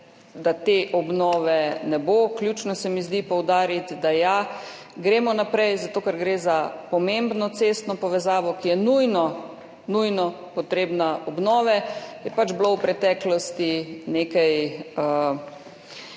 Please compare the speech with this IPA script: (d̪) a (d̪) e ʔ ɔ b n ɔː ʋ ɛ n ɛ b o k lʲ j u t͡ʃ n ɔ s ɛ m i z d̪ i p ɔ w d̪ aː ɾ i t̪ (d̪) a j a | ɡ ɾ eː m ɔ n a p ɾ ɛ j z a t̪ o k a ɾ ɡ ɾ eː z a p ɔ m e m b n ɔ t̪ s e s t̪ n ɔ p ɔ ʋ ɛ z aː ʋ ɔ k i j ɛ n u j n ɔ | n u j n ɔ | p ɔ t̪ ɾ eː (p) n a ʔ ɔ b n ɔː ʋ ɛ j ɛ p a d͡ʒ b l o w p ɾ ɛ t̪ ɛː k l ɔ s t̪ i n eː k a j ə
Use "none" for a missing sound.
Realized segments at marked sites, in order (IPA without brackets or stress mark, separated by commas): d̪, t̪, d̪, b